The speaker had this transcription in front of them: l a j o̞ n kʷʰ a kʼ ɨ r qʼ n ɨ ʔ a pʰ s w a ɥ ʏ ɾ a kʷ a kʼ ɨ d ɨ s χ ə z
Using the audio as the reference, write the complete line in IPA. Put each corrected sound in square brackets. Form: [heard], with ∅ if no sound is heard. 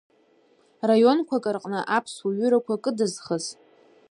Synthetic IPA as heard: [r] a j o̞ n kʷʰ a kʼ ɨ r qʼ n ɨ ʔ a pʰ s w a ɥ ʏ ɾ a kʷ a kʼ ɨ d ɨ [z] χ ə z